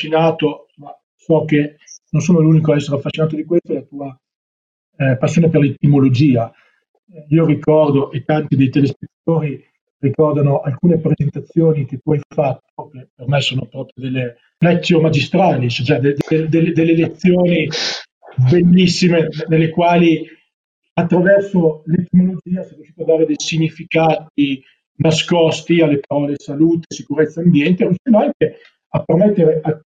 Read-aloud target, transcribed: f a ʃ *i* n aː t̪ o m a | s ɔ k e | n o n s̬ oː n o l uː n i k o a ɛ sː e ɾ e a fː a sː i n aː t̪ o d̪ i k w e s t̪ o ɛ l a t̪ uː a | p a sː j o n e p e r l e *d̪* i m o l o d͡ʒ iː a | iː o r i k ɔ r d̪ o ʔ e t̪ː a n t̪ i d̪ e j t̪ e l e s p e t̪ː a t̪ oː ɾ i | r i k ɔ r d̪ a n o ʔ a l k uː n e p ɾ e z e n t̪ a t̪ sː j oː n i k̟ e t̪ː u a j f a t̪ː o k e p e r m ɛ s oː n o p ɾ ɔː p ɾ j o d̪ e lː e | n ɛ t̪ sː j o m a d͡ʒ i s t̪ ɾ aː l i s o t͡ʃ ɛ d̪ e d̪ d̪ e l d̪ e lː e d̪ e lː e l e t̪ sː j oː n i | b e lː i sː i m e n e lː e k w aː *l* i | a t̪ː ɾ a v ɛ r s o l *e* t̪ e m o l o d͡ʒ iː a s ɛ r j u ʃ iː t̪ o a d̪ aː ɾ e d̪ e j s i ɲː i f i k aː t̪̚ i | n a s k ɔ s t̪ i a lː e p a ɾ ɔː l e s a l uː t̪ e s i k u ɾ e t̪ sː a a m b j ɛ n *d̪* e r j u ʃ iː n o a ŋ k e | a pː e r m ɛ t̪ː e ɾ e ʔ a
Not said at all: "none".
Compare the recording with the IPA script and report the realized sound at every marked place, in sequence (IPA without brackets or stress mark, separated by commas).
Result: i, t̪, l, e, t̪